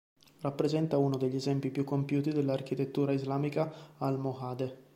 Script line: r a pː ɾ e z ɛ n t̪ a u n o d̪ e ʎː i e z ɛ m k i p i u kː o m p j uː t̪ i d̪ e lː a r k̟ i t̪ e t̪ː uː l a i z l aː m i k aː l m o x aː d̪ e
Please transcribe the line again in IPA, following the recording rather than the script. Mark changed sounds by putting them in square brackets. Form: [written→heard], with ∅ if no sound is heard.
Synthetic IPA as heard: r a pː ɾ e z ɛ n t̪ a u n o d̪ e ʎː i e z ɛ m [k→p] i p [i→j] u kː o m p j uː t̪ i d̪ e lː a r k̟ i t̪ e t̪ː uː [l→ɾ] a i z l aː m i k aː l m o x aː d̪ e